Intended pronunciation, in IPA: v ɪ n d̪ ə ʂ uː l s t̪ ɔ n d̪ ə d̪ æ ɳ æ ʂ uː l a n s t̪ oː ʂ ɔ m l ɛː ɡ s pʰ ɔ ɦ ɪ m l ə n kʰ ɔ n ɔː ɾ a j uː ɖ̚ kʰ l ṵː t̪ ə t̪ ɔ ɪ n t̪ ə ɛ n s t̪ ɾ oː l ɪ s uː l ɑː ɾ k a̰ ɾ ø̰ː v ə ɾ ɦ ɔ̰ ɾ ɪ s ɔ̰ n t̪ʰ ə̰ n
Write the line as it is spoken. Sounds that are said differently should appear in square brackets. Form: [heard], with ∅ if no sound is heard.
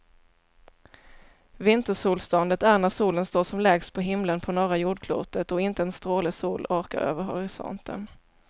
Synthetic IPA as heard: v ɪ n [t̪] ə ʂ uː l s t̪ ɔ n d̪ ə [t̪] æ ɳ æ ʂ uː l [ə] n s t̪ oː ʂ ɔ m l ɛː ɡ s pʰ ɔ ɦ ɪ m l ə n [pʰ] ɔ n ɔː ɾ a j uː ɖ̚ kʰ l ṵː t̪ ə t̪ ɔ ɪ n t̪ ə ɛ n s t̪ ɾ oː l ɪ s uː l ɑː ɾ k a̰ ɾ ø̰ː v ə ɾ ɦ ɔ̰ ɾ ɪ s ɔ̰ n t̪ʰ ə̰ n